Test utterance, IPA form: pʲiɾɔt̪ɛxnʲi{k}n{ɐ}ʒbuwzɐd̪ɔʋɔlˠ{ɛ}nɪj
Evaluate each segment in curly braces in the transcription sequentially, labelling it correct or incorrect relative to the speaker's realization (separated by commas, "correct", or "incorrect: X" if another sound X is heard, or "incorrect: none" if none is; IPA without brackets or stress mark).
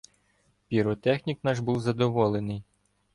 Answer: correct, incorrect: ɑ, incorrect: e